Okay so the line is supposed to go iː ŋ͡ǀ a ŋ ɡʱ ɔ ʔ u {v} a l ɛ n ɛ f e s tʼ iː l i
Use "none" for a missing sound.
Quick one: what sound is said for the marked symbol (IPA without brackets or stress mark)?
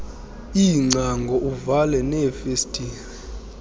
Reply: v